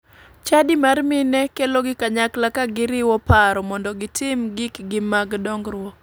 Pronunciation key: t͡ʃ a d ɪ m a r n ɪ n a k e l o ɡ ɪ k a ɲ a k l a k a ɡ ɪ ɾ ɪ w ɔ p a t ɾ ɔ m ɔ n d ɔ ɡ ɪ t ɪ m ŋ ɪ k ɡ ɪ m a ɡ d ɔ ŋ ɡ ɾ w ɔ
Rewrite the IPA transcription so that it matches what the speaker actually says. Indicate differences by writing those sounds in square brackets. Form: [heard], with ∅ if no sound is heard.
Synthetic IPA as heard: t͡ʃ a d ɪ m a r [m] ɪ n [ɛ] k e l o ɡ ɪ k a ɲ a k l a k a ɡ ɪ ɾ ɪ w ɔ p a [∅] ɾ ɔ m ɔ n d ɔ ɡ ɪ t ɪ m [ɡ] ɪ k ɡ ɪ m a ɡ d ɔ ŋ ɡ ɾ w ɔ